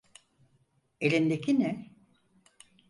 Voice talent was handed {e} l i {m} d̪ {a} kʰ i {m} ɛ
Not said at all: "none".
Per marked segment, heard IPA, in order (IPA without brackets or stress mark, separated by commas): e, n, e, n